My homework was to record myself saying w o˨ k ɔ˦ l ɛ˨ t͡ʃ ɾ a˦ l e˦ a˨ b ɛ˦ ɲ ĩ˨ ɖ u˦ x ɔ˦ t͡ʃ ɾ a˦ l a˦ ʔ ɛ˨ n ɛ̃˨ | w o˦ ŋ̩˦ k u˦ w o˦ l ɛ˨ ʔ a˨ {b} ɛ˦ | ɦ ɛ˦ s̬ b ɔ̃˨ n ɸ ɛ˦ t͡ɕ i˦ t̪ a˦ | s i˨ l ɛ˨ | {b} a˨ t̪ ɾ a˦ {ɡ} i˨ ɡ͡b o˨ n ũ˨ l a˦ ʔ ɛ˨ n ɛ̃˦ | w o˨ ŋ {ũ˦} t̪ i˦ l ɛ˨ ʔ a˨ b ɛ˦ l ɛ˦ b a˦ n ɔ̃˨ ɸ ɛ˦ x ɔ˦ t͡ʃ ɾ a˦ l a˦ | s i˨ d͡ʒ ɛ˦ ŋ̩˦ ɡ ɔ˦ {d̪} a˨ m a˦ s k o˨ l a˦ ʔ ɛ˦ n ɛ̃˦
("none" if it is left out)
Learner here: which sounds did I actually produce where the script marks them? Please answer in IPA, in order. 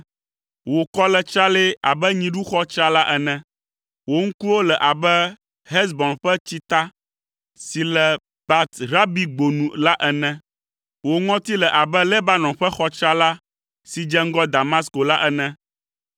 b, b, b, ɔ̃˦, d̪

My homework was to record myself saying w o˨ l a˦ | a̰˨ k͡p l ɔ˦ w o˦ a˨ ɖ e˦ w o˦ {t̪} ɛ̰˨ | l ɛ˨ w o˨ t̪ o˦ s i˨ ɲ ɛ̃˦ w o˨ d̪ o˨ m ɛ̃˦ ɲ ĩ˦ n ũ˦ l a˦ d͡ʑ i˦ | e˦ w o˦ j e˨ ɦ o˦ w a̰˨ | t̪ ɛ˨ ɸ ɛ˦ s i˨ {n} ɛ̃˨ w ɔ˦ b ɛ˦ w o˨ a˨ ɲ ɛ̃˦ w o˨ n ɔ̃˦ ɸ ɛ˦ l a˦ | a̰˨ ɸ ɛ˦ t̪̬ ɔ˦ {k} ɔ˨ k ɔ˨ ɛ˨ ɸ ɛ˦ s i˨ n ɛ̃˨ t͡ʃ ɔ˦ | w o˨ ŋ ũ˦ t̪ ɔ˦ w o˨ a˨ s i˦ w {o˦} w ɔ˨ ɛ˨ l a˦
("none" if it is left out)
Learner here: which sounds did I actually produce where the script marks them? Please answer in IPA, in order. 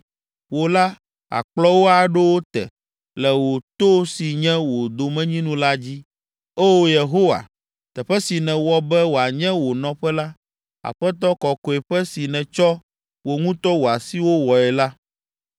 t̪, n, k, o˦

